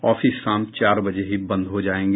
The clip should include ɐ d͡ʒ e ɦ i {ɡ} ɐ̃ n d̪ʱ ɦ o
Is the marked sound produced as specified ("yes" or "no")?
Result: no